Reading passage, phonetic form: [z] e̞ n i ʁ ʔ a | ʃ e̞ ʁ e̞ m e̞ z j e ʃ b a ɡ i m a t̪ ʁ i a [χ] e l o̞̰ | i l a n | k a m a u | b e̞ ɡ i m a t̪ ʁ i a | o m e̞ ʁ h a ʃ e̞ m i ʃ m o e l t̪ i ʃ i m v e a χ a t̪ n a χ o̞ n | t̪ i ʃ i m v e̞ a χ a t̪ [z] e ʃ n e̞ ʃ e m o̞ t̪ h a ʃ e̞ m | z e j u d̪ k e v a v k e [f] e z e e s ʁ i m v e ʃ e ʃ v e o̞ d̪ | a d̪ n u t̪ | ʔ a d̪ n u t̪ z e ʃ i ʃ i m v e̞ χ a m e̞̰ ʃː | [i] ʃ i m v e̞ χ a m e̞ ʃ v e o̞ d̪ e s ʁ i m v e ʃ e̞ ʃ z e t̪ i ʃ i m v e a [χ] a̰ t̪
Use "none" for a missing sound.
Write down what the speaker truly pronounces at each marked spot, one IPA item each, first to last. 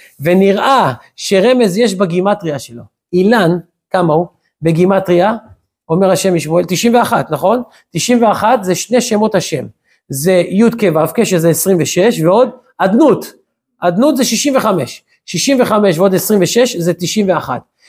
v, ʃ, z, ʃ, i, χ

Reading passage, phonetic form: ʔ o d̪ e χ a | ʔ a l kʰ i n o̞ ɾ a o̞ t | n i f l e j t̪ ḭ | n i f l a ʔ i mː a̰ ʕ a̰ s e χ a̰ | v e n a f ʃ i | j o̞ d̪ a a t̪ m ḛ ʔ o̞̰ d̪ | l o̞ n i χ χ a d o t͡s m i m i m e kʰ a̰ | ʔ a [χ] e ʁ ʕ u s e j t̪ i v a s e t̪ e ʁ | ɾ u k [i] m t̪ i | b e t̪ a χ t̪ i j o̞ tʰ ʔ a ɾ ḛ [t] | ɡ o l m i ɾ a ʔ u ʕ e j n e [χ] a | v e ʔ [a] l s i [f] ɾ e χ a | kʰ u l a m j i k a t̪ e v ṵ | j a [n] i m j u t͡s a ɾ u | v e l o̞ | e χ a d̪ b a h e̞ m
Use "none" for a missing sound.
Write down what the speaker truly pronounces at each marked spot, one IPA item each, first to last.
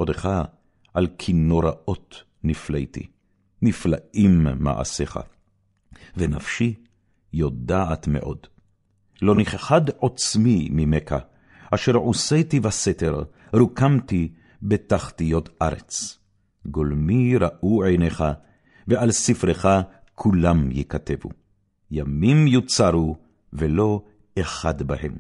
ʃ, a, t͡s, χ, a, f, m

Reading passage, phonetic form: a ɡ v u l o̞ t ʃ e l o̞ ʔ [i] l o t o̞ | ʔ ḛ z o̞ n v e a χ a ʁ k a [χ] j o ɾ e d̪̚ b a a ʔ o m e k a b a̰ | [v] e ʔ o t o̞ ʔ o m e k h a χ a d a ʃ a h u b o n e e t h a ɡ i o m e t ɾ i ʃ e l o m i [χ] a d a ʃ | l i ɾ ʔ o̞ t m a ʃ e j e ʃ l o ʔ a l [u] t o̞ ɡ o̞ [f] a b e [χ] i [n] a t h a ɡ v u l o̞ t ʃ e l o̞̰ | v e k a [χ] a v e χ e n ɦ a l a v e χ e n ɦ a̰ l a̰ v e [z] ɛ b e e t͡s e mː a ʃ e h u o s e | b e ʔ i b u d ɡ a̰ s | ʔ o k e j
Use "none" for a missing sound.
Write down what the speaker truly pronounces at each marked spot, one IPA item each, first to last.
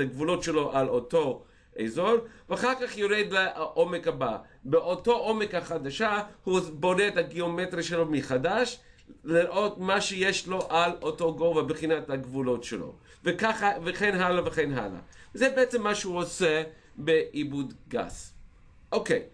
a, χ, b, χ, o, v, χ, n, χ, z

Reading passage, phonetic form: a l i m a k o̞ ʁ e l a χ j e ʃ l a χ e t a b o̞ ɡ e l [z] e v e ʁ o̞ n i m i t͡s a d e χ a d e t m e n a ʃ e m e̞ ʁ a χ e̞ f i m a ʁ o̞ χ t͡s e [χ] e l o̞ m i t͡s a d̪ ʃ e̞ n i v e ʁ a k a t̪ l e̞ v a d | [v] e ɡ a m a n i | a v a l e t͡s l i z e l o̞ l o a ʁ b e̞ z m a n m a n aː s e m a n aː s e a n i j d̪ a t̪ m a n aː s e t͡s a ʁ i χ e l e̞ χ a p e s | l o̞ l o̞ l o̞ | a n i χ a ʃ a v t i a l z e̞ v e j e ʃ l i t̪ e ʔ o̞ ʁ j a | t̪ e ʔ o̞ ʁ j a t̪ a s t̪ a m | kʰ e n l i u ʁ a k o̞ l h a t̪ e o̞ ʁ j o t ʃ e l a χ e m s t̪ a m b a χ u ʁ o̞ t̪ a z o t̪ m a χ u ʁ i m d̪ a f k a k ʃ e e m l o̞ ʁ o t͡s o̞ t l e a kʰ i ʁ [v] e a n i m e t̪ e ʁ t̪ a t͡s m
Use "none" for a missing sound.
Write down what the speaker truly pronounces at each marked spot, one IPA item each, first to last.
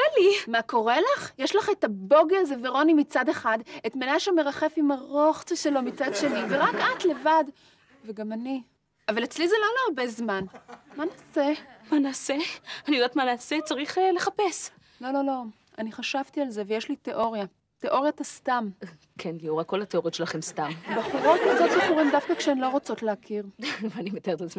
z, ʃ, v, v

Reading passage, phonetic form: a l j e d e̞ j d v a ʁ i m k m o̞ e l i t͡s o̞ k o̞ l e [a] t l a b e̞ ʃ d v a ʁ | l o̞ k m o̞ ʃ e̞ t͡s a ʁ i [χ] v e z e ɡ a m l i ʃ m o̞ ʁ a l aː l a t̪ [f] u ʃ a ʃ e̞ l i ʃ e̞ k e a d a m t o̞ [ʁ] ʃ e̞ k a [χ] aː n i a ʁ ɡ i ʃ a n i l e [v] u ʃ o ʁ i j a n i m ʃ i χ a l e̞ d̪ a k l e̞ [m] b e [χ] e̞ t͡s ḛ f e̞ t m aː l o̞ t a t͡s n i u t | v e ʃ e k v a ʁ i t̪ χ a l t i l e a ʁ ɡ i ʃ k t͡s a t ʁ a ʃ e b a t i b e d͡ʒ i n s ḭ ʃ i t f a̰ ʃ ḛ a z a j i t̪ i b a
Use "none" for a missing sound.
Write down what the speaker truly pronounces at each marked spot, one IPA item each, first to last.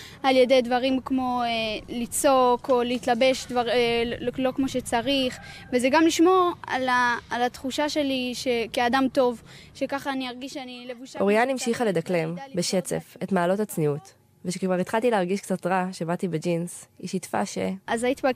i, χ, χ, v, χ, v, m, ʃ

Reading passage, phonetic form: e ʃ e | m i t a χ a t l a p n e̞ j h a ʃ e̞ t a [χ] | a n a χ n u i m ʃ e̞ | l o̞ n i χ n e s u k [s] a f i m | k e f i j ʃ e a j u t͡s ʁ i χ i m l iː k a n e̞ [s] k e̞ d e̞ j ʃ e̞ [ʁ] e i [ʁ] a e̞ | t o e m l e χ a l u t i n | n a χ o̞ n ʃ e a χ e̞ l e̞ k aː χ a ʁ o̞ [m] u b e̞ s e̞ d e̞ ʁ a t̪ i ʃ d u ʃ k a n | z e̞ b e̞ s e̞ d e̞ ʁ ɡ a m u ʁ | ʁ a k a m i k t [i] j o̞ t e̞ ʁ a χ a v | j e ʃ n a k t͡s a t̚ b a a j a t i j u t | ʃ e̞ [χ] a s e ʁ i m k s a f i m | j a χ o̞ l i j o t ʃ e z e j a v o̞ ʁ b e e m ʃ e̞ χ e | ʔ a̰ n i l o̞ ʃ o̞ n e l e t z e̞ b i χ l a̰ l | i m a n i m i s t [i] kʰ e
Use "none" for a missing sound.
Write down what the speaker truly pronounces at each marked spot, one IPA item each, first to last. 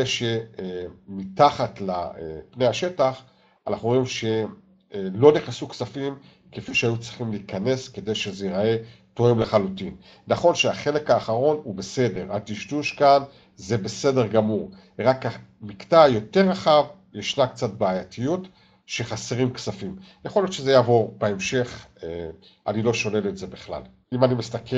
χ, s, s, z, ʁ, n, a, χ, a

